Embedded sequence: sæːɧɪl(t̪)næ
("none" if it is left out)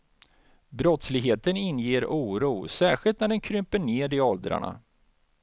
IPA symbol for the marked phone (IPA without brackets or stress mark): t̪